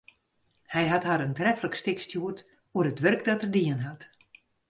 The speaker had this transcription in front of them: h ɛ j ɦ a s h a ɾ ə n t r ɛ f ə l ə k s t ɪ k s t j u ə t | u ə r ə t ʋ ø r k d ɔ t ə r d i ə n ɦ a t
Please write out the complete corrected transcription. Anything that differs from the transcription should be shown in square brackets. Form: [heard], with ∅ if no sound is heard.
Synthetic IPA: h ɛ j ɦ a [t] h a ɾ ə n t r ɛ f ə l ə k s t ɪ k s t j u ə t | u ə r ə t ʋ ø r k d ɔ t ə r d i ə n ɦ a t

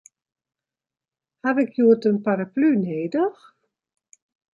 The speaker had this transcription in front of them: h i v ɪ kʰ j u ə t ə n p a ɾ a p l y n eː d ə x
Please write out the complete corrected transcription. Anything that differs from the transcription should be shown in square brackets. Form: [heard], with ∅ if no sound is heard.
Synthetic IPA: h [a] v ɪ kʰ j u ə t ə n p a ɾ a p l y n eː d ə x

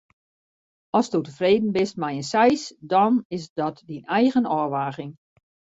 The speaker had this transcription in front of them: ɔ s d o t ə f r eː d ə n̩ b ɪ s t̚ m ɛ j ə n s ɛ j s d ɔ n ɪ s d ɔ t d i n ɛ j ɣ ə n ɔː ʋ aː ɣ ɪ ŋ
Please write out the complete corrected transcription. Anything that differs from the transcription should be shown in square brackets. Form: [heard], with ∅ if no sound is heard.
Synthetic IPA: ɔ s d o t ə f r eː d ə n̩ b ɪ s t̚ m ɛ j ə n s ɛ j s d ɔ n ɪ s d ɔ t d i n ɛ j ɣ ə n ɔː ʋ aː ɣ ɪ ŋ

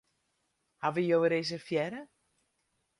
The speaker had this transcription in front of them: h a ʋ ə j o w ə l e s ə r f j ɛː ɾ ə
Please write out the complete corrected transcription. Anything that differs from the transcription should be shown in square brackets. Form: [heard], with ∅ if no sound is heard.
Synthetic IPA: h a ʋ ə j o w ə [ɾ] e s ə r f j [ɛ] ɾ ə

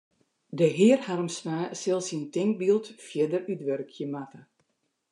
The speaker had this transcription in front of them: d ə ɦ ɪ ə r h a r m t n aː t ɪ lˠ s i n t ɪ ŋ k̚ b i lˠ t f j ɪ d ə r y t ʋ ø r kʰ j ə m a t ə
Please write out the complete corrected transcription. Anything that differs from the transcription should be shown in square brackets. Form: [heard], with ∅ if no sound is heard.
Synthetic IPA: d ə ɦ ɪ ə r h a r m [s] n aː [s] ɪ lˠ s i n t ɪ ŋ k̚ b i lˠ t f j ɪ d ə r y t ʋ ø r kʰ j ə m a t ə

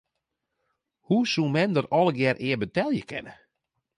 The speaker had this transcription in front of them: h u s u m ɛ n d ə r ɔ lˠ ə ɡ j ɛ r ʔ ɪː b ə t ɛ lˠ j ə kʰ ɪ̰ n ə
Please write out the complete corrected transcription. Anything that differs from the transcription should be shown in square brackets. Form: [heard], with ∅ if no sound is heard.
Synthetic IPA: h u s u m ɛ n d ə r ɔ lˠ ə ɡ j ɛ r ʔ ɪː b ə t ɛ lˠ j ə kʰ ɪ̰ n ə

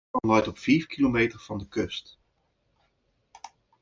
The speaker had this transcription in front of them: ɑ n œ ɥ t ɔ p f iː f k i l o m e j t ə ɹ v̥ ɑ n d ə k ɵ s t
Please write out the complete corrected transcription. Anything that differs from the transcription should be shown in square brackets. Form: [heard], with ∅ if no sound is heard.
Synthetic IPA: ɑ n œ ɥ t ɔ p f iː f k i l o m e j t ə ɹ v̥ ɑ n d ə k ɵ s t

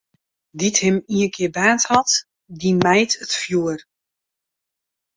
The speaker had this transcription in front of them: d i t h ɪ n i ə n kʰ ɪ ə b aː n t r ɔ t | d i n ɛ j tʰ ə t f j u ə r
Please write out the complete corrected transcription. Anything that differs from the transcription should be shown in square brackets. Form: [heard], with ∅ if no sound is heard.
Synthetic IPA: d i t h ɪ [m] i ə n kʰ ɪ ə b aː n t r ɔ t | d i [m] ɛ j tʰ ə t f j u ə r

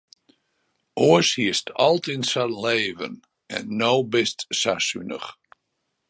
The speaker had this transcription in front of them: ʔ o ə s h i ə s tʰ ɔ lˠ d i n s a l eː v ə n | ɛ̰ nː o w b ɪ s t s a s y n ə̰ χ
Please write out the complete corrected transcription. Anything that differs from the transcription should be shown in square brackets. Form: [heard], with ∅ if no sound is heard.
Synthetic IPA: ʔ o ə s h i ə s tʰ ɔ lˠ [t] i n s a l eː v ə n | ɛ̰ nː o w b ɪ s t s a s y n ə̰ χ

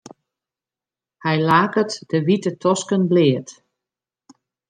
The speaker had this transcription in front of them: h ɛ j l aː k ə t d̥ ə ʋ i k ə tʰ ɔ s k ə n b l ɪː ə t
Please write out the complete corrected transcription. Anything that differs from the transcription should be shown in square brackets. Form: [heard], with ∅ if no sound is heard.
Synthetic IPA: h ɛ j l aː k ə t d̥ ə ʋ i [t] ə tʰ ɔ s k ə n b l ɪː ə t

